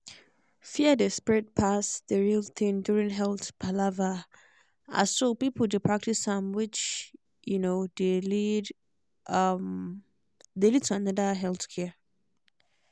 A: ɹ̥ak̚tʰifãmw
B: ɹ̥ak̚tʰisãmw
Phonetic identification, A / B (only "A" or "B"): B